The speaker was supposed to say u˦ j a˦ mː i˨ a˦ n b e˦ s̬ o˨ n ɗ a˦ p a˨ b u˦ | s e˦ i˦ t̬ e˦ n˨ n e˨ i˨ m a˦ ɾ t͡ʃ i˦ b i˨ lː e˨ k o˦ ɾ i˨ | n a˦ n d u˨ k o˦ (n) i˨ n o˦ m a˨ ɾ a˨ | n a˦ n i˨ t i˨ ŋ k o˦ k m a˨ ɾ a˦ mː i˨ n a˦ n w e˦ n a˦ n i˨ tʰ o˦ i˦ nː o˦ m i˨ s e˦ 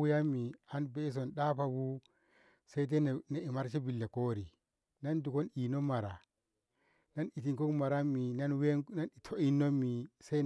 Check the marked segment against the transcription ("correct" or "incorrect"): correct